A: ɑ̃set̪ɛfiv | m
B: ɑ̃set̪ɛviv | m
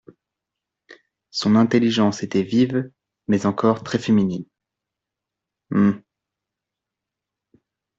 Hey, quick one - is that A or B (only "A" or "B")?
B